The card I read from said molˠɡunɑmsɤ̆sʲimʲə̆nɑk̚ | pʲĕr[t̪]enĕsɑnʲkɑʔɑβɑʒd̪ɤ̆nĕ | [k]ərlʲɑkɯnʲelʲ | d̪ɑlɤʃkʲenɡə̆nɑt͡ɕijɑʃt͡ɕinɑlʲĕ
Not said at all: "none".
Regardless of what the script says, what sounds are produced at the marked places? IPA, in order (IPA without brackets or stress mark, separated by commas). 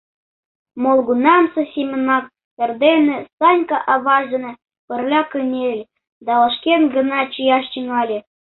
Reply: d̪, p